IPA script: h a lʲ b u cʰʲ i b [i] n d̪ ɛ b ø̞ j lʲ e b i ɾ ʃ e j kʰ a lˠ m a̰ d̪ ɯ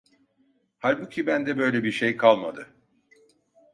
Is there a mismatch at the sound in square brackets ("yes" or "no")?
yes